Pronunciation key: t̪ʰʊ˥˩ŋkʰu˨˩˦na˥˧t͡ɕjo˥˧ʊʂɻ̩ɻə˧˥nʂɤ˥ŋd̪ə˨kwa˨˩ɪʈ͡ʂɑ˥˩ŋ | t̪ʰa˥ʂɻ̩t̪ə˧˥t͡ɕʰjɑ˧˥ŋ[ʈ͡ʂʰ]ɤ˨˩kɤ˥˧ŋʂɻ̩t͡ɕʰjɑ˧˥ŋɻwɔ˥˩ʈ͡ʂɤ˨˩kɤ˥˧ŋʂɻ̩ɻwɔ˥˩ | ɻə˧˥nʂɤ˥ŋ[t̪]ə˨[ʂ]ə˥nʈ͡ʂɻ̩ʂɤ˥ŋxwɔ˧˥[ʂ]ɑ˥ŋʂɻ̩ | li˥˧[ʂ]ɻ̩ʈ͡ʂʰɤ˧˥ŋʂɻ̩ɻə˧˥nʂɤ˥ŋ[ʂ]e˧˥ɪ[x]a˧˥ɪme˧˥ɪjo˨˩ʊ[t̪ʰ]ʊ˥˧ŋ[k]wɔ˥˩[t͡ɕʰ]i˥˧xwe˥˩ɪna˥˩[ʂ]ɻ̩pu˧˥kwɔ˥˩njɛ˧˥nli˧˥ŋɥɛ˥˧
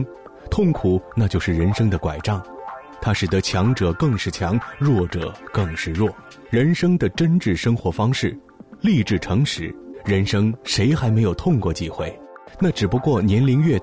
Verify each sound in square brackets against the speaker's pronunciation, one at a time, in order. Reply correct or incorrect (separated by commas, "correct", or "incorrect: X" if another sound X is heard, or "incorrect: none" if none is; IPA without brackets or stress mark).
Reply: incorrect: ʈ͡ʂ, incorrect: d̪, incorrect: ʈ͡ʂ, incorrect: f, incorrect: ʈ͡ʂ, correct, correct, correct, correct, incorrect: t͡ɕ, incorrect: ʈ͡ʂ